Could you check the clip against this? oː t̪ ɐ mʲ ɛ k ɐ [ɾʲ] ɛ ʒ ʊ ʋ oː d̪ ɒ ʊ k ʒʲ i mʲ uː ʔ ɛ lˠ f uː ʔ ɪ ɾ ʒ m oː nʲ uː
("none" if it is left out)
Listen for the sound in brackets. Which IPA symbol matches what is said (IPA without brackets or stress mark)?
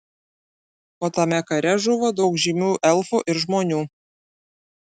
ɾʲ